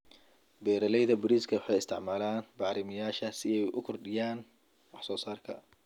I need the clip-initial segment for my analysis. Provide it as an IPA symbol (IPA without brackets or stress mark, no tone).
b